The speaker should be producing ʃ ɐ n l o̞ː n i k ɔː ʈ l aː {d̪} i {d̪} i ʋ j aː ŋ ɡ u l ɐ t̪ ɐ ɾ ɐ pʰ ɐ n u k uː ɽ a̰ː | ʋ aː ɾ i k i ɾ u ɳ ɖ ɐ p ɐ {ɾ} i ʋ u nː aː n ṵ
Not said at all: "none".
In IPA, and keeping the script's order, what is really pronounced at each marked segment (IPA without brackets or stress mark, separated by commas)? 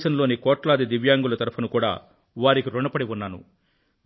d̪, d̪, ɽ